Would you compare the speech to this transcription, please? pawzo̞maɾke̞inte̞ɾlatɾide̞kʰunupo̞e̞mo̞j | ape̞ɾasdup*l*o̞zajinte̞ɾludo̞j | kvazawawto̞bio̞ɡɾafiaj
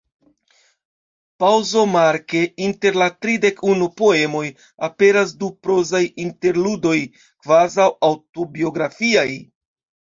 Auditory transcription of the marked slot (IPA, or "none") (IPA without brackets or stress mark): ɾ